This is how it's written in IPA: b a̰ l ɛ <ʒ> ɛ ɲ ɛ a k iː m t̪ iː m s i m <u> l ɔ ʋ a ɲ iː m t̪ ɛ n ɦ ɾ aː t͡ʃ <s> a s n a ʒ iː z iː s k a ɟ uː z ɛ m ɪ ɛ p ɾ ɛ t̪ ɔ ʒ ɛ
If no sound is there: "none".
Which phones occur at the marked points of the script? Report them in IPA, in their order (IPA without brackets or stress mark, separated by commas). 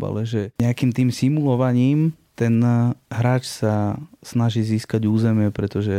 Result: ʒ, u, s